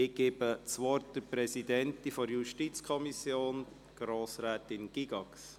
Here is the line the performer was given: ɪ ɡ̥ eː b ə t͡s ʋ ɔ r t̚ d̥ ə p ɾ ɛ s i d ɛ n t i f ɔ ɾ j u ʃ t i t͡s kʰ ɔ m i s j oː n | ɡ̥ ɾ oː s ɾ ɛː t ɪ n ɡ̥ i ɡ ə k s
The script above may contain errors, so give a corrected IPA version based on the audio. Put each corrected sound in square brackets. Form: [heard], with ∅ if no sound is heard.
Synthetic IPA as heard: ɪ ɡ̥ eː b ə t͡s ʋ ɔ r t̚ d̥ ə p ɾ ɛ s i d ɛ n t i f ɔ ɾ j u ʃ t i t͡s kʰ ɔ m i s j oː n | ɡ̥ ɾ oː s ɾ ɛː t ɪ n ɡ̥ i ɡ [ɑ] k s